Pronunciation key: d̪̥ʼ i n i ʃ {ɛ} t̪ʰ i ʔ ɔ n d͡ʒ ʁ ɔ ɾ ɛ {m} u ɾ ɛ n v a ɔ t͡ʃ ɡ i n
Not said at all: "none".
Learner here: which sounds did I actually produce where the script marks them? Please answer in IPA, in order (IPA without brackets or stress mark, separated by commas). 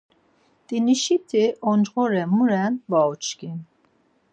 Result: i, m